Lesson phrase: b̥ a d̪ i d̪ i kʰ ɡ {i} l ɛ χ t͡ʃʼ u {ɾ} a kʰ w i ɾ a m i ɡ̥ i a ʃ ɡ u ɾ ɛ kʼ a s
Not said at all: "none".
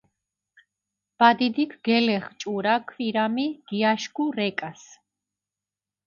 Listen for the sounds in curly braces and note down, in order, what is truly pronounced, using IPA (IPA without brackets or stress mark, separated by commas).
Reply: ɛ, ɾ